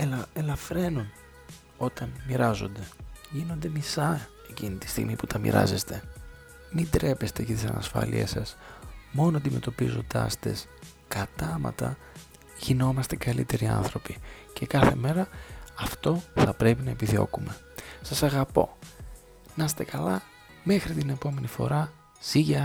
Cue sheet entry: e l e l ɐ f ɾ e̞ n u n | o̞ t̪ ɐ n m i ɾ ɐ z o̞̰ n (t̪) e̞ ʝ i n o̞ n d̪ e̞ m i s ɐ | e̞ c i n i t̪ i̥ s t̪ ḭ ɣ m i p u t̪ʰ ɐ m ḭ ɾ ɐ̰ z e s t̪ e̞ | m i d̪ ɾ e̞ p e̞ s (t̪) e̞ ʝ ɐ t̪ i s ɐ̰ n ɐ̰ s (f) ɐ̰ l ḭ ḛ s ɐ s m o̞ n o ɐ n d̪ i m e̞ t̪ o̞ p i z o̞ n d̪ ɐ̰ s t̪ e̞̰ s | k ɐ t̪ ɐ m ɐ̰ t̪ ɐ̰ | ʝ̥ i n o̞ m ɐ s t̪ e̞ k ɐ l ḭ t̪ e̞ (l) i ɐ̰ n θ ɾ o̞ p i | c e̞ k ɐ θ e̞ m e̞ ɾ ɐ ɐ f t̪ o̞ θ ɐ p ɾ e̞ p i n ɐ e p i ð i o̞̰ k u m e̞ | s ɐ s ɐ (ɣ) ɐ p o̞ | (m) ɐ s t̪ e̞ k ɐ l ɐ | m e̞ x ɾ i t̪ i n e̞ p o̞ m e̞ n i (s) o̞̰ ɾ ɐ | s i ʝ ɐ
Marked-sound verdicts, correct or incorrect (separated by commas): incorrect, correct, correct, incorrect, correct, incorrect, incorrect